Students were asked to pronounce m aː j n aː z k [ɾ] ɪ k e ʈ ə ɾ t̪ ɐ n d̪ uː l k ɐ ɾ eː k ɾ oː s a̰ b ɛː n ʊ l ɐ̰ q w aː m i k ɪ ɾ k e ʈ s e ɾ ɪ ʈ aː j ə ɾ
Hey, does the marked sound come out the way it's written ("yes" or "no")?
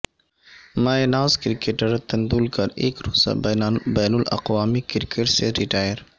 yes